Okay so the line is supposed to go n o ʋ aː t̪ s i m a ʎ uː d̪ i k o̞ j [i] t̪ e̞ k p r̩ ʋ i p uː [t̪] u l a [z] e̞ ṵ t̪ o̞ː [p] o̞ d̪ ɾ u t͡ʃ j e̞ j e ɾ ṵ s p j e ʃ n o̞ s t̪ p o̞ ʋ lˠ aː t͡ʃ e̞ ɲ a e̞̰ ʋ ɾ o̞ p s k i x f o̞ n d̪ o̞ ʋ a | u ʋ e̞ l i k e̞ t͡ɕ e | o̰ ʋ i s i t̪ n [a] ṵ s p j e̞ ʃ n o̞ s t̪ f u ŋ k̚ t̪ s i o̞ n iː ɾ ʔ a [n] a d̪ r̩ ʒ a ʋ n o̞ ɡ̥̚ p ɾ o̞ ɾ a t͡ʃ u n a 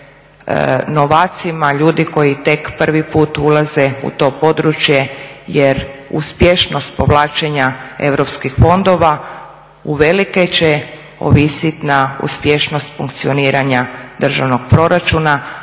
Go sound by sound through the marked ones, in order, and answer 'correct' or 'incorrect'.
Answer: correct, correct, correct, correct, correct, incorrect: ɲ

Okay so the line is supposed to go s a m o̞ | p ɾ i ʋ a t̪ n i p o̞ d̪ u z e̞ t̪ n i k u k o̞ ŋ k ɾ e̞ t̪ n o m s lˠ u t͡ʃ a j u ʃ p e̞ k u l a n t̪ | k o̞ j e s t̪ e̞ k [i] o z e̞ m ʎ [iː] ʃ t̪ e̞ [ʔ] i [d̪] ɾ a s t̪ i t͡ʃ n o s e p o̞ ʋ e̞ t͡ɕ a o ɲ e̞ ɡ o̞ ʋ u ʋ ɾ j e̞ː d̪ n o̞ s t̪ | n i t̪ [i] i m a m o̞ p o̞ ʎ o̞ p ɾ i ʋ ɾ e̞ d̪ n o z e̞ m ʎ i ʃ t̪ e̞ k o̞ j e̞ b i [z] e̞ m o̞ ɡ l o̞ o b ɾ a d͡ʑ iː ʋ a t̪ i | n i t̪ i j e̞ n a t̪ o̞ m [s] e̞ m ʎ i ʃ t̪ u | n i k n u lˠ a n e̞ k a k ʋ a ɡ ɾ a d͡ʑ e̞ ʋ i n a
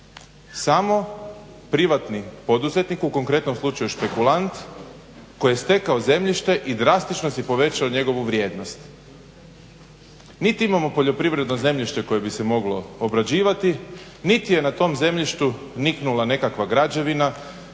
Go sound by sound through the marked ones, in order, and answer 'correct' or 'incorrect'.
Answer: incorrect: a, incorrect: i, correct, correct, correct, incorrect: s, incorrect: z

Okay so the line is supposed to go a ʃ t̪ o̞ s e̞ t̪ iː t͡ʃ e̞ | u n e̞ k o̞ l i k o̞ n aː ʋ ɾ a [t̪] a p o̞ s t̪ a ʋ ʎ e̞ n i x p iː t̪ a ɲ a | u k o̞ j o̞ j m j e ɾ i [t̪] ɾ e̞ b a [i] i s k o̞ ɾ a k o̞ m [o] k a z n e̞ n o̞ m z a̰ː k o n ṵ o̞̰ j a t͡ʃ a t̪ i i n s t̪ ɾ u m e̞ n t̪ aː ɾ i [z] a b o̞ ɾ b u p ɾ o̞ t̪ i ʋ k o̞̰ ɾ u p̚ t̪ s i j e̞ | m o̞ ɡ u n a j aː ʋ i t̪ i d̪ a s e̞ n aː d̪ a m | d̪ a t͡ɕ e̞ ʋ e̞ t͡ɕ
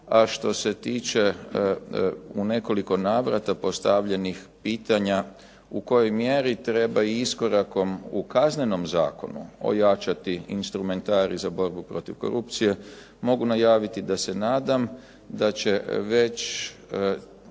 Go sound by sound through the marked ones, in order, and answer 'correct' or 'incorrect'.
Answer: correct, correct, correct, incorrect: u, correct

